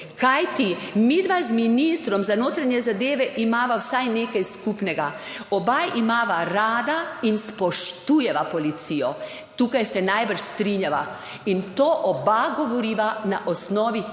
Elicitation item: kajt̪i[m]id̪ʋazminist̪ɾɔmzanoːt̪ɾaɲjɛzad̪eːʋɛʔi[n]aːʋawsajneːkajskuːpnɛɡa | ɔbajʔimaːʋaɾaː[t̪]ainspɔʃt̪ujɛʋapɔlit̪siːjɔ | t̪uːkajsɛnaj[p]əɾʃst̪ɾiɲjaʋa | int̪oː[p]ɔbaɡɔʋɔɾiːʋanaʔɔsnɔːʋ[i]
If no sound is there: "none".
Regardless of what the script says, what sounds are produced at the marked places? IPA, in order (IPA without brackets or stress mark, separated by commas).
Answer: m, m, d̪, b, ʔ, i